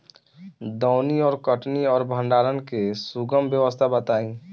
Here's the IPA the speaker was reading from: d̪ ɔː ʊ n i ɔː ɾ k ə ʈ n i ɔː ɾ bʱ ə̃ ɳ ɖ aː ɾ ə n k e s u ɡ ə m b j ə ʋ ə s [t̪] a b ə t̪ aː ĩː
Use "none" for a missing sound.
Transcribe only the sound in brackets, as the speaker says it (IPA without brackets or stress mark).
t̪ʰ